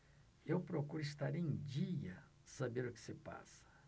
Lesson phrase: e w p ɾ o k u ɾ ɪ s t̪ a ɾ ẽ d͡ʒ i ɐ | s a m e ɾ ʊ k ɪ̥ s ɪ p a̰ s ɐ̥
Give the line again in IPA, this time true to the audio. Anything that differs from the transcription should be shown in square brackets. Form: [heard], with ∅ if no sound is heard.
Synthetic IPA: e w p ɾ o k u ɾ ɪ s t̪ a ɾ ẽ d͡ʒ i ɐ | s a [b] e ɾ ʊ k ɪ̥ s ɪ p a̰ s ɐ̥